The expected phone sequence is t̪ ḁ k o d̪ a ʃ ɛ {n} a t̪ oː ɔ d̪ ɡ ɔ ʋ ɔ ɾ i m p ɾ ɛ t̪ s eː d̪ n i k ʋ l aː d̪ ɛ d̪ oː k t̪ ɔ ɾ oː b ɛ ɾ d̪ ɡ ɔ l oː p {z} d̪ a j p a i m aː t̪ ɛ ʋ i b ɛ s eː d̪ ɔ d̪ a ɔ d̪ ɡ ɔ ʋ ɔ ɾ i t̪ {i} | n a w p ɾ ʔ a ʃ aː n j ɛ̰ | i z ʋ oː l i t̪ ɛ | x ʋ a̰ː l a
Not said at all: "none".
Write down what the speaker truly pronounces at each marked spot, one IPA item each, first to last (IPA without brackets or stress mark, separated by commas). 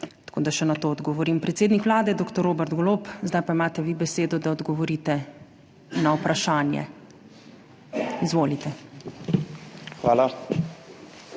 n, z, ɛ